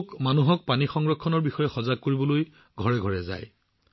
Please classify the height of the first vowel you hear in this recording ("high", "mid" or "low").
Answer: low